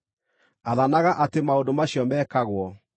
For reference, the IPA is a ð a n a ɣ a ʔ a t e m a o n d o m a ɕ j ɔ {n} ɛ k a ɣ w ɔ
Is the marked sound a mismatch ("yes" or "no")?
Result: yes